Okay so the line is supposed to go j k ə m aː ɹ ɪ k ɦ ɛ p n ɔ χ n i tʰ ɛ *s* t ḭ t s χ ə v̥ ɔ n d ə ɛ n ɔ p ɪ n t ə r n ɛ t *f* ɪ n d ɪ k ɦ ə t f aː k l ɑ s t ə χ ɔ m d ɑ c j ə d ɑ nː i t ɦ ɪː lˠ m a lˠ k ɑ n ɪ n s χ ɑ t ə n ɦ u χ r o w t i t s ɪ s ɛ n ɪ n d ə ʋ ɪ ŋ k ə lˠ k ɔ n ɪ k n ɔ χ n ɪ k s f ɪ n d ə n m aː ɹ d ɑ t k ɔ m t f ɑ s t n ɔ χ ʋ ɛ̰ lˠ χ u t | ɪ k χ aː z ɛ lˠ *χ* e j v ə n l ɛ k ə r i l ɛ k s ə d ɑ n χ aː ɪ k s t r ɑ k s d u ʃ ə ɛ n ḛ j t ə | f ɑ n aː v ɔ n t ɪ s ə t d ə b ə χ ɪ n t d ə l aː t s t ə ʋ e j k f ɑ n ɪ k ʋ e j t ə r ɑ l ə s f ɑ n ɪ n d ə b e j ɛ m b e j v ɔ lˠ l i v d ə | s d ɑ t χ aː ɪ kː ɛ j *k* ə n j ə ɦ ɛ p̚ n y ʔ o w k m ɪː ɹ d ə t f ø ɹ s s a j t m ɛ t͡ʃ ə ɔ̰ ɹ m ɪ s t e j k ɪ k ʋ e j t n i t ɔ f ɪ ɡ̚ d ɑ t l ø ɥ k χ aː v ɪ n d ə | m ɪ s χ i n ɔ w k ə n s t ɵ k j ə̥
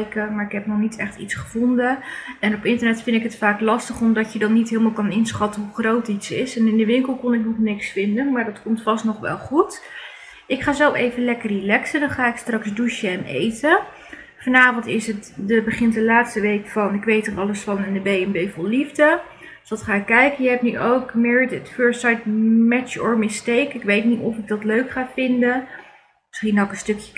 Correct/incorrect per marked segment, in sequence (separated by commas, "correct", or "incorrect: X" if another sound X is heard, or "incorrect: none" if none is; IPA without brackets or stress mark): incorrect: χ, correct, incorrect: f, correct